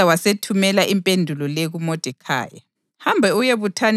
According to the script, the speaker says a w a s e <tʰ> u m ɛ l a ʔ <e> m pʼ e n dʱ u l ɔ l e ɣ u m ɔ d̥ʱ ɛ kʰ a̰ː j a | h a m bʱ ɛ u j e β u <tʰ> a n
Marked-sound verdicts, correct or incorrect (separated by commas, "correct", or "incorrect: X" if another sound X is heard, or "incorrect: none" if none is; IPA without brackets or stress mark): correct, incorrect: i, correct